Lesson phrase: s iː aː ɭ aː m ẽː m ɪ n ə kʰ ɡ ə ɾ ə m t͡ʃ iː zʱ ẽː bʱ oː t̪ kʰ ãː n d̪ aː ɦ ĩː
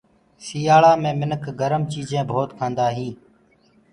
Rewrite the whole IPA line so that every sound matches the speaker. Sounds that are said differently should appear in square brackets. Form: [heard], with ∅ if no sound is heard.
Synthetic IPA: s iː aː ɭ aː m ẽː m ɪ n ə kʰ ɡ ə ɾ ə m t͡ʃ iː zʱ ẽː bʱ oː t̪ kʰ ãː n d̪ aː ɦ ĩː